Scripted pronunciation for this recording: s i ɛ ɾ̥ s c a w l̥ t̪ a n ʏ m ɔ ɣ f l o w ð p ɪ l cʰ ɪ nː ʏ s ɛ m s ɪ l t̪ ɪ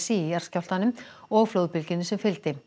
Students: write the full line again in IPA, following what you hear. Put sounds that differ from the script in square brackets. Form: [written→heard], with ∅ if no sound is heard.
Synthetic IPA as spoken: s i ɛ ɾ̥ s c a w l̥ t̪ a n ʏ m ɔ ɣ f l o w ð p ɪ l [cʰ→c] ɪ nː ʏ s ɛ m [s→f] ɪ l t̪ ɪ